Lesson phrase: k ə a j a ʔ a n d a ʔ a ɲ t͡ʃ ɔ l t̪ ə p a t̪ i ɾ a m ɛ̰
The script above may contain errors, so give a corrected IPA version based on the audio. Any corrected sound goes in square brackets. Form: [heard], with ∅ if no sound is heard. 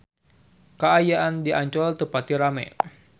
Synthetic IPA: k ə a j a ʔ a n d [i] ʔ a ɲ t͡ʃ ɔ l t̪ ə p a t̪ i ɾ a m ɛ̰